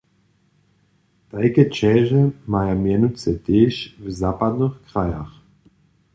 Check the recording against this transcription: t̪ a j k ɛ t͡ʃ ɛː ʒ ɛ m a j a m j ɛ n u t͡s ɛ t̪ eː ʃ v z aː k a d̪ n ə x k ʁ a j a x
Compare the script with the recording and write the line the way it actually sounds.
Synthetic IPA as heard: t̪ a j k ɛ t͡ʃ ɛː ʒ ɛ m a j a m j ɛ n u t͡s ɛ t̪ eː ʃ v z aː p a d̪ n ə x k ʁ a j a x